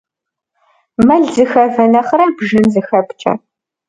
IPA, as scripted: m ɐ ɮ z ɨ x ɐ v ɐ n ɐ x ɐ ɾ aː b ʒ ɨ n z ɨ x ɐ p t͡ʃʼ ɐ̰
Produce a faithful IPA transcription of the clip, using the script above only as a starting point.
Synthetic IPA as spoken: m ɐ ɮ z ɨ x ɐ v ɐ n ɐ χ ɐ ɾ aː b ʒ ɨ n z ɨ x ɐ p t͡ʃʼ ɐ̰